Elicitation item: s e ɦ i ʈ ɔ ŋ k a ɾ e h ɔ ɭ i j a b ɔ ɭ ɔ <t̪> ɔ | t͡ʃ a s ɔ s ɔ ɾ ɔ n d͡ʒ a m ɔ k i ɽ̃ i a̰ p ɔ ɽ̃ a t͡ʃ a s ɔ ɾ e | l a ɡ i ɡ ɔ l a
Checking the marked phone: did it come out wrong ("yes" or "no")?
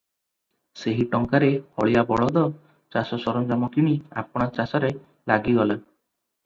yes